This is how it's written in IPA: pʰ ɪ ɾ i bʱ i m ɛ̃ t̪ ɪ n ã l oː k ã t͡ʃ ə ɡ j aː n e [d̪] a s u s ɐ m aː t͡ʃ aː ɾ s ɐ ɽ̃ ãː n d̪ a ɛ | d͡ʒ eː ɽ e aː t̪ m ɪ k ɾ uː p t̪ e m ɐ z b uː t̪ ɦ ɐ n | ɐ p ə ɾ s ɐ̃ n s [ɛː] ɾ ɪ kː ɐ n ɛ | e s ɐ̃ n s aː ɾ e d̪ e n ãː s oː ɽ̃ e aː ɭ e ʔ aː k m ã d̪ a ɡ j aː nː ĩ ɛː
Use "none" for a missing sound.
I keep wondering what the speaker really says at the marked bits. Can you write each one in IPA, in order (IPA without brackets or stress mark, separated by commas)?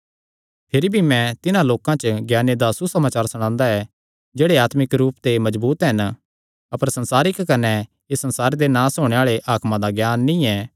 d̪, aː